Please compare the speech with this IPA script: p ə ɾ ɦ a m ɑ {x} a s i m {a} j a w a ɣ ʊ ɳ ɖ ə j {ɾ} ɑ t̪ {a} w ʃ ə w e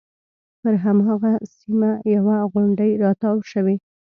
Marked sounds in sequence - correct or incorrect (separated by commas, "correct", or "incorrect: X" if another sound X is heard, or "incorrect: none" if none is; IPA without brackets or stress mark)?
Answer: incorrect: ɣ, correct, correct, incorrect: ɑ